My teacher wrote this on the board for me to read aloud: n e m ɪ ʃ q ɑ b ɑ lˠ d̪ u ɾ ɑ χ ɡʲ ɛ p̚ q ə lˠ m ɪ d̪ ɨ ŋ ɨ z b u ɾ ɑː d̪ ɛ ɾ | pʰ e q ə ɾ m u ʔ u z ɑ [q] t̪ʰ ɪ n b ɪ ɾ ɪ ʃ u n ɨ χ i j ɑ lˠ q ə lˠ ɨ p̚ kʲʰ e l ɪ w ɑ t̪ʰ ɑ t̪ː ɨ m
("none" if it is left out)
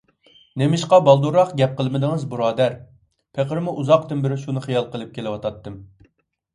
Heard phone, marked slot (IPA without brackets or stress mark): q